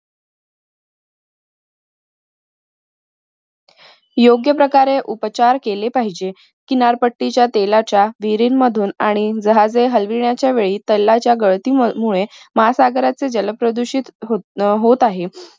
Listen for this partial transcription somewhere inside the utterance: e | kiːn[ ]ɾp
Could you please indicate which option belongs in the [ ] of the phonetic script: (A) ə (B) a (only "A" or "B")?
B